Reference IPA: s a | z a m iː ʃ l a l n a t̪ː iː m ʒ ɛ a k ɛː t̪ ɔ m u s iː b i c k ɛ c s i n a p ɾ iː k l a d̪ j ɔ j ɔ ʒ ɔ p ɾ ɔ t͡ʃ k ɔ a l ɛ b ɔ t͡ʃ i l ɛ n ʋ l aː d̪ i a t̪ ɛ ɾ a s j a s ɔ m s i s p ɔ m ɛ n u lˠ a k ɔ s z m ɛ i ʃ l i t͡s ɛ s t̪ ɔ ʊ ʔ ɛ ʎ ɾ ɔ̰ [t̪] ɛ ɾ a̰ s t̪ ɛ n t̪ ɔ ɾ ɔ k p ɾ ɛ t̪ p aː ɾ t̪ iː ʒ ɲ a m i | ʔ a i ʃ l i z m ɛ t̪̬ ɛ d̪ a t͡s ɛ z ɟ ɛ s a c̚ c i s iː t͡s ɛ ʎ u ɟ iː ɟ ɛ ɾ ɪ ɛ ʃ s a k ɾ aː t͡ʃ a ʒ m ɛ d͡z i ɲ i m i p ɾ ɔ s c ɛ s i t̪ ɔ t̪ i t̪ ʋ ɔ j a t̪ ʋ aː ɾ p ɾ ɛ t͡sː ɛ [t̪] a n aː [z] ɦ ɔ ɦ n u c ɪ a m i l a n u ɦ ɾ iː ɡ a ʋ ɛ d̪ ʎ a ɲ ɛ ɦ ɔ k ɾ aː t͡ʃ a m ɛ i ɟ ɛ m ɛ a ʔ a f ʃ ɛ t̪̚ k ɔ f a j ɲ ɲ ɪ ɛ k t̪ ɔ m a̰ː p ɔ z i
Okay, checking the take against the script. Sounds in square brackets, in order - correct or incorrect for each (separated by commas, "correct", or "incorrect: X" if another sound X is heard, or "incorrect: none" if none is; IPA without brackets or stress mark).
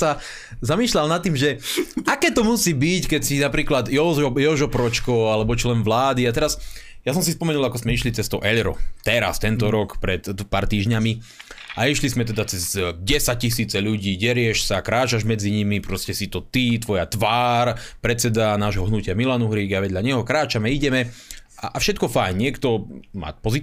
correct, incorrect: d̪, incorrect: ʒ